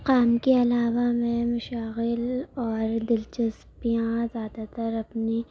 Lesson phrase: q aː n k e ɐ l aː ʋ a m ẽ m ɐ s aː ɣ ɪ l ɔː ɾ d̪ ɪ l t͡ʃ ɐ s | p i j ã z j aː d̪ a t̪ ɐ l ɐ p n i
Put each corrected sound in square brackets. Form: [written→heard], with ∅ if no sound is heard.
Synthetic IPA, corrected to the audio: q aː [n→m] k e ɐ l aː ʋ a m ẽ m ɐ [s→ʃ] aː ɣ ɪ l ɔː ɾ d̪ ɪ l t͡ʃ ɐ s | p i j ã z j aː d̪ a t̪ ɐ [l→ɾ] ɐ p n i

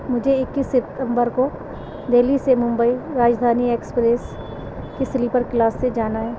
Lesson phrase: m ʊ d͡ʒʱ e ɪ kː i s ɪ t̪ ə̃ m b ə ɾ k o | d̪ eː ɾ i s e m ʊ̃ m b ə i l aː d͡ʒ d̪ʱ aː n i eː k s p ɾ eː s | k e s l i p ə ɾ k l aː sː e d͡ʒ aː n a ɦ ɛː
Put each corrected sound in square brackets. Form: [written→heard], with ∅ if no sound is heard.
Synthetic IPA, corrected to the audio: m ʊ d͡ʒʱ e ɪ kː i s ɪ t̪ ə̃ m b ə ɾ k o | d̪ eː [ɾ→l] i s e m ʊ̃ m b ə i [l→ɾ] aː d͡ʒ d̪ʱ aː n i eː k s p ɾ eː s | k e s l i p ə ɾ k l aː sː e d͡ʒ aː n a ɦ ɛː

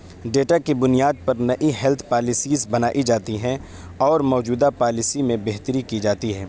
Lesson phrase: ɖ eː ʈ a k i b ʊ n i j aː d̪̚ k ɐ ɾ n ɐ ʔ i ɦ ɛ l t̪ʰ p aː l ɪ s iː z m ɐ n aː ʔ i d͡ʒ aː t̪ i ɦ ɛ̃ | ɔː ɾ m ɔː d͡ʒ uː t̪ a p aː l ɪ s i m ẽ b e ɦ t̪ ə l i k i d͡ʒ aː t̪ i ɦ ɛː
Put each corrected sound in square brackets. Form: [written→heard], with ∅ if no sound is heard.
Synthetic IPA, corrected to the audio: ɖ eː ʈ a k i b ʊ n i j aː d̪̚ [k→p] ɐ ɾ n ɐ ʔ i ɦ ɛ l t̪ʰ p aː l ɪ s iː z [m→b] ɐ n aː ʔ i d͡ʒ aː t̪ i ɦ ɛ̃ | ɔː ɾ m ɔː d͡ʒ uː [t̪→d̪] a p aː l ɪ s i m ẽ b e ɦ t̪ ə [l→ɾ] i k i d͡ʒ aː t̪ i ɦ ɛː

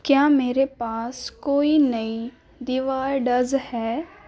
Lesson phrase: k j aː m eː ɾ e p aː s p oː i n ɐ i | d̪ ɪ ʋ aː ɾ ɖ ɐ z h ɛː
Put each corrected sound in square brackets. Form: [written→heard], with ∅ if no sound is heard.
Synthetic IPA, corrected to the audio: k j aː m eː ɾ e p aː s [p→k] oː i n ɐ i | d̪ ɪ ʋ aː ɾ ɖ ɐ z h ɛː

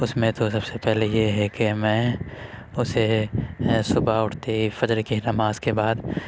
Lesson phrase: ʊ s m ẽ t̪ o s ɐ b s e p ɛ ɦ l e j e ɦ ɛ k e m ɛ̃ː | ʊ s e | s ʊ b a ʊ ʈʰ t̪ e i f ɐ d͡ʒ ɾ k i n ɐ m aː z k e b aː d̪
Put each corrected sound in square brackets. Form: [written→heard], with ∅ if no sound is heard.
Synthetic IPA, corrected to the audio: ʊ s m ẽ t̪ o s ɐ b s e p ɛ ɦ l e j e ɦ ɛ k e m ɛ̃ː | ʊ s e | s ʊ b a ʊ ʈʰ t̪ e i f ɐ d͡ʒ ɾ k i n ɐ m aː z k e b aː d̪

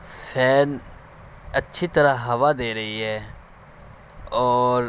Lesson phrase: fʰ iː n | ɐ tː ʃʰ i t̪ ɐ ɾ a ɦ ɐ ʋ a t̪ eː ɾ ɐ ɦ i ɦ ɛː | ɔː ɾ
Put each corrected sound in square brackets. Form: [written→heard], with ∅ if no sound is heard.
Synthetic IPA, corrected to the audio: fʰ [iː→ɛː] n | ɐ tː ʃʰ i t̪ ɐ ɾ a ɦ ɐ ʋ a [t̪→d̪] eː ɾ ɐ ɦ i ɦ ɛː | ɔː ɾ

